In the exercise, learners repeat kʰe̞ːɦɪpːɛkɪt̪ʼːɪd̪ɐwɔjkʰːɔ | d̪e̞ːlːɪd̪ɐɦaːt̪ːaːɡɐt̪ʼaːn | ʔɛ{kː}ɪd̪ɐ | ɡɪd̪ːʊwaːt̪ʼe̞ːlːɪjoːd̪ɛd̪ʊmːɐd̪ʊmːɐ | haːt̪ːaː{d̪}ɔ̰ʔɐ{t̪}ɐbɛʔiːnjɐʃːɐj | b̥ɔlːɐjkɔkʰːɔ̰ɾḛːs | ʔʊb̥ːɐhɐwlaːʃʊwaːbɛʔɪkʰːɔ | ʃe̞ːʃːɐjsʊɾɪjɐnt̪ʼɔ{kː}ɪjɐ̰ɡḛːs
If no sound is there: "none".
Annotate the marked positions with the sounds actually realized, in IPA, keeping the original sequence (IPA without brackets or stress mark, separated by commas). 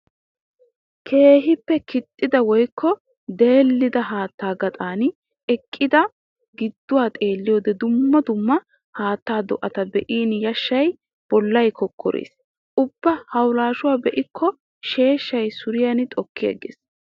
kʼː, d̪, t̪, kː